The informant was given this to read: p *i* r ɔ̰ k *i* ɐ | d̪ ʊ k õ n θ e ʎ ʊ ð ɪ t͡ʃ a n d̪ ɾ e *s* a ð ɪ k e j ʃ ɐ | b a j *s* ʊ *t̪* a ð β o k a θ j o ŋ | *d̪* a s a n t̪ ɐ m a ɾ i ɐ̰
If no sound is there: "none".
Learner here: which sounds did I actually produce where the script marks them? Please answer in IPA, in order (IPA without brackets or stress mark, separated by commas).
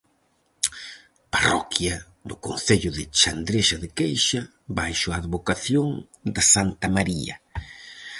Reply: a, j, ʃ, ʃ, none, d̪